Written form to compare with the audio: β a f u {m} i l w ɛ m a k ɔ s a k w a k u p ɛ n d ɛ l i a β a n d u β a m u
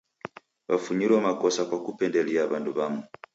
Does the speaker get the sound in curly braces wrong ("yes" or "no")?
yes